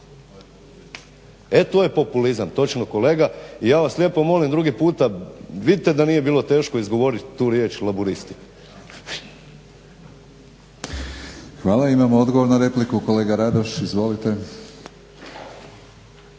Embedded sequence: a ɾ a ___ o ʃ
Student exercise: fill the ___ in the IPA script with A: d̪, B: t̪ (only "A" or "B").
A